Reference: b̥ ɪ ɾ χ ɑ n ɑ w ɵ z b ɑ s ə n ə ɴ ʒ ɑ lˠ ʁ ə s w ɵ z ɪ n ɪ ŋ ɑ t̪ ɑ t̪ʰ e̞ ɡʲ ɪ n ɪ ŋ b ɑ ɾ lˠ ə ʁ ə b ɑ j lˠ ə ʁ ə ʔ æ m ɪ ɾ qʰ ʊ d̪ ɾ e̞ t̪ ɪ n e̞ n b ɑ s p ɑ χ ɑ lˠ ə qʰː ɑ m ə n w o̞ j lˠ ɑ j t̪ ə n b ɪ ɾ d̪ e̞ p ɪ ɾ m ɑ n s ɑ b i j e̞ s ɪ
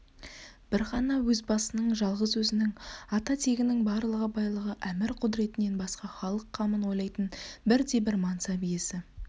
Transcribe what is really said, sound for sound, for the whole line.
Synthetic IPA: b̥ ɪ ɾ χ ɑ n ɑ w ɵ z b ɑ s ə n ə ɴ ʒ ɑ lˠ ʁ ə z w ɵ z ɪ n ɪ ŋ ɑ t̪ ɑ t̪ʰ e̞ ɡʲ ɪ n ɪ ŋ b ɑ ɾ lˠ ə ʁ ə b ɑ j lˠ ə ʁ ə ʔ æ m ɪ ɾ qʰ ʊ d̪ ɾ e̞ t̪ ɪ n e̞ n b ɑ s q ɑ χ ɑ lˠ ə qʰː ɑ m ə n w o̞ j lˠ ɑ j t̪ ə n b ɪ ɾ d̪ e̞ b ɪ ɾ m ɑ n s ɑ b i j e̞ s ɪ